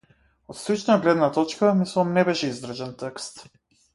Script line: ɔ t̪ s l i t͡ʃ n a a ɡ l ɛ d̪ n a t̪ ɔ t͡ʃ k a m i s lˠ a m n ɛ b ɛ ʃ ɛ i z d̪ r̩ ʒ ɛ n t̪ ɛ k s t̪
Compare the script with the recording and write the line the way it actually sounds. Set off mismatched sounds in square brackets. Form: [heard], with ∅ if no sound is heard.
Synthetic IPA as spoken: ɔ t̪ s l i t͡ʃ n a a ɡ l ɛ d̪ n a t̪ ɔ t͡ʃ k a m i s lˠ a m n ɛ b ɛ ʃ ɛ i z d̪ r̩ ʒ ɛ n t̪ ɛ k s t̪